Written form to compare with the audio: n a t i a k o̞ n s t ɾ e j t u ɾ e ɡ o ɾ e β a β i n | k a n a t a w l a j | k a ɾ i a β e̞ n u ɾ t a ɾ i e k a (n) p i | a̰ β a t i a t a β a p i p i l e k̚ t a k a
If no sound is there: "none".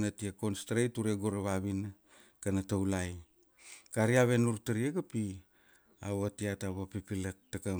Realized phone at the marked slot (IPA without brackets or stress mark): none